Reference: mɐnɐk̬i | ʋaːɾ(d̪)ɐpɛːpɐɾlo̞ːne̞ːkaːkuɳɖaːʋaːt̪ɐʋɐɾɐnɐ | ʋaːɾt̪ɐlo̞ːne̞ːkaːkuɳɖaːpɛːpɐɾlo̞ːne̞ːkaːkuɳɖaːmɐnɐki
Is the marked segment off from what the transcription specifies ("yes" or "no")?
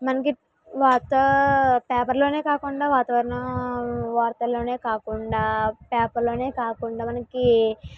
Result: yes